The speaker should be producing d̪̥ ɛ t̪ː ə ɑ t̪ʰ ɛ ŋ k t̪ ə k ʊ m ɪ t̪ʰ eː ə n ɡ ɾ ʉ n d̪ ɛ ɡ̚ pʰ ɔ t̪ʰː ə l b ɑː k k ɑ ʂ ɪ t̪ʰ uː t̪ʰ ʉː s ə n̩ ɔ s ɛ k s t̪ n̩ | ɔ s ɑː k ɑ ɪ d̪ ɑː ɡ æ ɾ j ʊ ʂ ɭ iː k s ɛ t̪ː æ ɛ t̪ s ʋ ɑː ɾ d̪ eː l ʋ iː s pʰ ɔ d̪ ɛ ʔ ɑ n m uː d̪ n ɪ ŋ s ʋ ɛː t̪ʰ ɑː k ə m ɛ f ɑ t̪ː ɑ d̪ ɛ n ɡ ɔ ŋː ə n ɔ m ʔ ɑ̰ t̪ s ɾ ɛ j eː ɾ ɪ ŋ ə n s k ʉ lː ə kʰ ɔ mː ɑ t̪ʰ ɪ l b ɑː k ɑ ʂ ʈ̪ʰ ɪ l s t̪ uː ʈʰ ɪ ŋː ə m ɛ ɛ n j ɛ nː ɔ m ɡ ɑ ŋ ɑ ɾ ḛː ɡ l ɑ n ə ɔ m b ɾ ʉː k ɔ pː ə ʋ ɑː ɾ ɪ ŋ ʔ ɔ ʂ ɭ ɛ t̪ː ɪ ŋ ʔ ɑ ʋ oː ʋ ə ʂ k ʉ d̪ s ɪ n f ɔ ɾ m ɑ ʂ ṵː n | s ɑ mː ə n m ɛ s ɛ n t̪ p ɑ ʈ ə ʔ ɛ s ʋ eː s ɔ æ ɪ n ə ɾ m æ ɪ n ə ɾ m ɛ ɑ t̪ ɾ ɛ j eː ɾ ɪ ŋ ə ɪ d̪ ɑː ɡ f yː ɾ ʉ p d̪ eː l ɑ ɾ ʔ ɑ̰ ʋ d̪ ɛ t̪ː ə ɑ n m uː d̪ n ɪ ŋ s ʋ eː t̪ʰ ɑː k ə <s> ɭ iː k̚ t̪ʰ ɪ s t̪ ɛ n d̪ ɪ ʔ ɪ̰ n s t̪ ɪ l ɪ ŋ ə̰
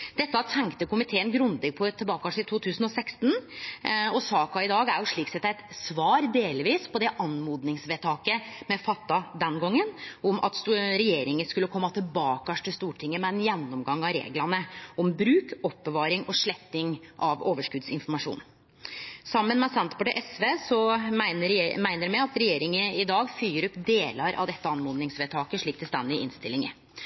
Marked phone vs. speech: incorrect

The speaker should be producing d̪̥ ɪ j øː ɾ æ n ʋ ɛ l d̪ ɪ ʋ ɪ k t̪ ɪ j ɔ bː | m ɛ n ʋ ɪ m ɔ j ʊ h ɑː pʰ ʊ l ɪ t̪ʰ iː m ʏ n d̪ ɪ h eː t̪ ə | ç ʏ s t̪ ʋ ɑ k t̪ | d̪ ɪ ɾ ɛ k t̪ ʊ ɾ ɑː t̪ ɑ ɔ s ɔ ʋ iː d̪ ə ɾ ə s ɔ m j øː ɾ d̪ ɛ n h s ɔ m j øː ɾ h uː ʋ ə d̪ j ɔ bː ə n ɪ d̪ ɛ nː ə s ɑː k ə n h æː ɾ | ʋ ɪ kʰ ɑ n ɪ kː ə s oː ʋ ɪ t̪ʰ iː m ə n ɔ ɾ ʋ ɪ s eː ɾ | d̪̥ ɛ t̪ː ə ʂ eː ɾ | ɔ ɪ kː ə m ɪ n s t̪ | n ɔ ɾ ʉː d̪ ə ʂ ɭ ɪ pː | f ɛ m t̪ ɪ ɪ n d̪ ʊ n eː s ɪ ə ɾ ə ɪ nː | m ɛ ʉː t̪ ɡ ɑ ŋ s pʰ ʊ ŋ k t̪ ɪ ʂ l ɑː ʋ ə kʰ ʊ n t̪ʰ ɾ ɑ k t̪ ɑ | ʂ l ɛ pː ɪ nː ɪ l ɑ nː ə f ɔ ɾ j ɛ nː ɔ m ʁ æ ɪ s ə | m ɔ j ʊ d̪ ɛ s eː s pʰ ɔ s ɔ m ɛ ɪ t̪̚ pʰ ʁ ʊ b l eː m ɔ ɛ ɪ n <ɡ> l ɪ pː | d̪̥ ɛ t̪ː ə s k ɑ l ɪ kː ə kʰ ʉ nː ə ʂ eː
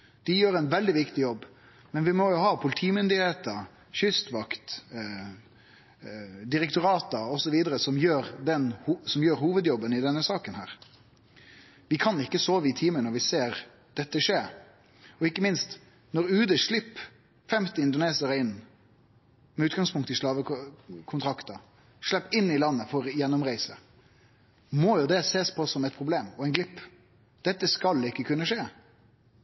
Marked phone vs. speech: correct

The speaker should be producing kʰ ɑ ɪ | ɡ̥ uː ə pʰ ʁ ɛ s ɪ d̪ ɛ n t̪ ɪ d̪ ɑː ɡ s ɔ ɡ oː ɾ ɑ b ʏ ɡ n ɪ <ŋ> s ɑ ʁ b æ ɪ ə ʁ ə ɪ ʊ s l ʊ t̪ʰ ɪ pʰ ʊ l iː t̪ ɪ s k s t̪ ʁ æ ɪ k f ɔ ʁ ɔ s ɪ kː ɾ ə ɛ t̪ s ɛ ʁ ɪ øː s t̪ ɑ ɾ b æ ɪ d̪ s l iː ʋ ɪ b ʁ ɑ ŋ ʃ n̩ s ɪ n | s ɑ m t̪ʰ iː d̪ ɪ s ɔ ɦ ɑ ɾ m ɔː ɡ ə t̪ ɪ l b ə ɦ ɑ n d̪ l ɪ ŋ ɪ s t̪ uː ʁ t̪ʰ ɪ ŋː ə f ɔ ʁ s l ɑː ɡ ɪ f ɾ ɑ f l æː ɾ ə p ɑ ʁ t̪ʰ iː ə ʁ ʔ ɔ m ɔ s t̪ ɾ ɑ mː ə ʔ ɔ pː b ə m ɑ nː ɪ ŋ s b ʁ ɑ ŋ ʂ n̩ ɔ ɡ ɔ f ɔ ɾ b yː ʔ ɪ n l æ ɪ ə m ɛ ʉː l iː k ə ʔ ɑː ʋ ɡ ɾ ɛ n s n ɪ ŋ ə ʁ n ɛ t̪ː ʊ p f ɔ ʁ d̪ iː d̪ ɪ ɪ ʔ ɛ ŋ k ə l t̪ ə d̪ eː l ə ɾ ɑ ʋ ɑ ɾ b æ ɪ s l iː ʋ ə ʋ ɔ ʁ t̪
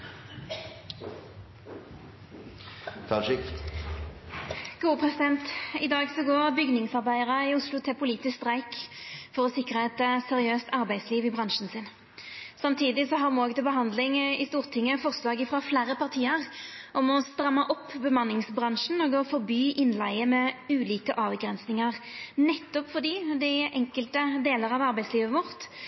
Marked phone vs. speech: correct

